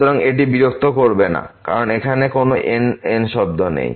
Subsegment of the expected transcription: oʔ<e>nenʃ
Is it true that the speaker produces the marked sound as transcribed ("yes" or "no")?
yes